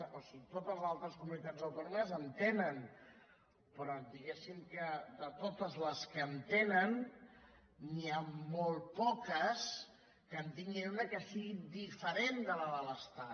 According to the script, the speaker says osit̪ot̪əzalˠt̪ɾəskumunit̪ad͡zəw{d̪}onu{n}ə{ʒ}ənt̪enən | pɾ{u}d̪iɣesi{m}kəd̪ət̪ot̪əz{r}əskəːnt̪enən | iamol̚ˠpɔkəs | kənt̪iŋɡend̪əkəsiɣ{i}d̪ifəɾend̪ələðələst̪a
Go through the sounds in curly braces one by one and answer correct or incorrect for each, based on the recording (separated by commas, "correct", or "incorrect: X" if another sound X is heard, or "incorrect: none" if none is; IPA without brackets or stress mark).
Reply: incorrect: t̪, incorrect: m, incorrect: z, incorrect: ɔ, correct, incorrect: l, correct